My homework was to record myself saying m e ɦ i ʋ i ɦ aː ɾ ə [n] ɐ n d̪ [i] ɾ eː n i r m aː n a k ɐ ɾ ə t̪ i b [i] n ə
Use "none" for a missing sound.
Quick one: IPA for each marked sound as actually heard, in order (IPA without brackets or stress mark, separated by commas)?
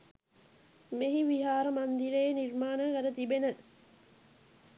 m, i, e